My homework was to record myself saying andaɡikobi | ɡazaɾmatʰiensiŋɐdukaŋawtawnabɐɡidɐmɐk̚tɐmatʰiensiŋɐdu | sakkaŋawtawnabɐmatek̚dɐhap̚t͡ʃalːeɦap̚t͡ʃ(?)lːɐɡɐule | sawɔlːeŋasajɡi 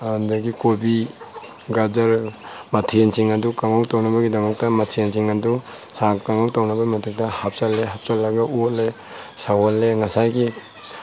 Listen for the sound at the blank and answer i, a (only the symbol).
a